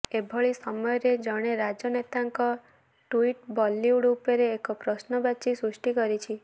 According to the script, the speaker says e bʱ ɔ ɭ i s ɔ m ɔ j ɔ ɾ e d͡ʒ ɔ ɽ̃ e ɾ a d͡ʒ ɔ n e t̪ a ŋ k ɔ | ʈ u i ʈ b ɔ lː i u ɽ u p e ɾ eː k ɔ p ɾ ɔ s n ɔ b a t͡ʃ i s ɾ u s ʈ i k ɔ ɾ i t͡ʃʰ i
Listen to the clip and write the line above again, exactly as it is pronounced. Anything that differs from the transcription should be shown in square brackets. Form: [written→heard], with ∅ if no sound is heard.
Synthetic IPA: e bʱ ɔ ɭ i s ɔ m ɔ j ɔ ɾ e d͡ʒ ɔ ɽ̃ e ɾ a d͡ʒ ɔ n e t̪ a ŋ k ɔ | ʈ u i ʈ b ɔ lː i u ɽ u p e ɾ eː k ɔ p ɾ ɔ s n ɔ b a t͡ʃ i s ɾ u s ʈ i k ɔ ɾ i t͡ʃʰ i